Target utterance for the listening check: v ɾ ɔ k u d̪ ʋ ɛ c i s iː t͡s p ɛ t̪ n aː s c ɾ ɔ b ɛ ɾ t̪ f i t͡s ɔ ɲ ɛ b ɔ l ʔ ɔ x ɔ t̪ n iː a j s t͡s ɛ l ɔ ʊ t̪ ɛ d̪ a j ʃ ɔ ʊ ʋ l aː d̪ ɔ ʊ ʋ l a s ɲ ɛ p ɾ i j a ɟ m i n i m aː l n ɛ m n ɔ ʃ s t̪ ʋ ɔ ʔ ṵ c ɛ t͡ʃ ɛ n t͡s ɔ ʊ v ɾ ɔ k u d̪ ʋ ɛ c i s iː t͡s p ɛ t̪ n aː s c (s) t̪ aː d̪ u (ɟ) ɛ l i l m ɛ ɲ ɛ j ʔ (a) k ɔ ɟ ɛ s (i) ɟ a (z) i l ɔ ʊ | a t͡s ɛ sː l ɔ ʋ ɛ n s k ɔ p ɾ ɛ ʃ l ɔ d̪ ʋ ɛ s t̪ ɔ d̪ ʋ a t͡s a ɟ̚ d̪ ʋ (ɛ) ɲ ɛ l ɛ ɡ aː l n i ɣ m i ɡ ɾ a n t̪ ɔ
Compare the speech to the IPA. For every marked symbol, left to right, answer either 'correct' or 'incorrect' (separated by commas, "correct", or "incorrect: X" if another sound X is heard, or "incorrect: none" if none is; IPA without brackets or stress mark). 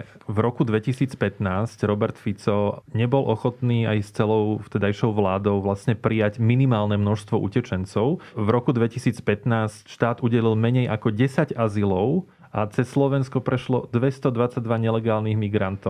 incorrect: ʃ, correct, correct, incorrect: a, correct, incorrect: a